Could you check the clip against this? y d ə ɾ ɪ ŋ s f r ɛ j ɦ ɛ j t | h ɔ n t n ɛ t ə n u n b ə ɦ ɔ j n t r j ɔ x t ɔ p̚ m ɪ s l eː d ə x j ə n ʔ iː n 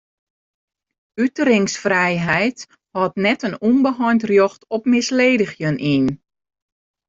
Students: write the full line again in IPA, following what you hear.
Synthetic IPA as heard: y t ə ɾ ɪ ŋ s f r ɛ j ɦ ɛ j t | h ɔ t n ɛ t ə n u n b ə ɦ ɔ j n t r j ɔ x t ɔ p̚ m ɪ s l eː d ə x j ə n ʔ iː n